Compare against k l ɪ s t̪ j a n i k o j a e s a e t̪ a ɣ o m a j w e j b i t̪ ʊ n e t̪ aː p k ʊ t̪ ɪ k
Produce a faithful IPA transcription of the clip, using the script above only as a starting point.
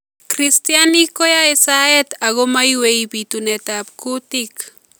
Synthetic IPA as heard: k ɾ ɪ s t̪ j a n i k o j a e s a e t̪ a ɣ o m a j w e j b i t̪ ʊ n e t̪ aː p k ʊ t̪ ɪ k